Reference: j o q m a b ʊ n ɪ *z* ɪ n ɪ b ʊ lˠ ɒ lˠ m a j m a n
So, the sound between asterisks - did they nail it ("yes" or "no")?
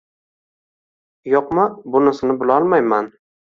no